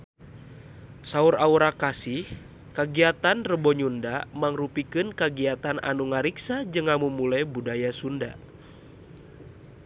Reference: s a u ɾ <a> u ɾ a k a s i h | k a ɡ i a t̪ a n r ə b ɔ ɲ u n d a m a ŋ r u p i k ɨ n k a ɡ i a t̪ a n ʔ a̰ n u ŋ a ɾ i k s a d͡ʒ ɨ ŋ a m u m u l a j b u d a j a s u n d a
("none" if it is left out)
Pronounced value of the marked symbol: a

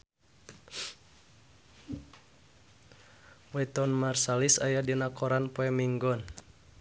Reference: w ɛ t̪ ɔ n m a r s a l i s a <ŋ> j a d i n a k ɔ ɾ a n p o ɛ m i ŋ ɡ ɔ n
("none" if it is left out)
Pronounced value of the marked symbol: none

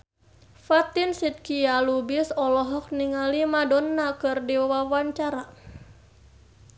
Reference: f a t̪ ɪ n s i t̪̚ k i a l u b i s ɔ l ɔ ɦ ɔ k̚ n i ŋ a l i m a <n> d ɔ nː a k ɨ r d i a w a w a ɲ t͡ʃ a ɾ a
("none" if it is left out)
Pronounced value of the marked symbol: none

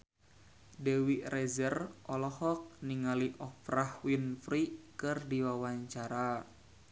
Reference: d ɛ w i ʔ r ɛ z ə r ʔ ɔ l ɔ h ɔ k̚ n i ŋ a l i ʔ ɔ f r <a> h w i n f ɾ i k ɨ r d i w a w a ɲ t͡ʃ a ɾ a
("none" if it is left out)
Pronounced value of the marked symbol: a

